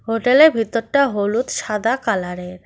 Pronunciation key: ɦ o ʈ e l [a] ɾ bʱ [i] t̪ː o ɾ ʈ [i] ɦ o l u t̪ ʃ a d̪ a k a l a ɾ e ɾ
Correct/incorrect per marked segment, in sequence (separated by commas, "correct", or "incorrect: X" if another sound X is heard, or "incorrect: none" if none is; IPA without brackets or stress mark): incorrect: e, correct, incorrect: a